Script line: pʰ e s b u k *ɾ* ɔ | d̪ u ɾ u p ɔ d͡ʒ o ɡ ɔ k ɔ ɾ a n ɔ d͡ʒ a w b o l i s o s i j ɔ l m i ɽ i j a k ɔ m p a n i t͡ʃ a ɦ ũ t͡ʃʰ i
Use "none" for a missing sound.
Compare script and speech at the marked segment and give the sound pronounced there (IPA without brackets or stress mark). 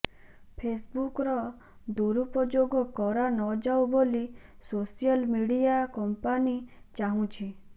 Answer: ɾ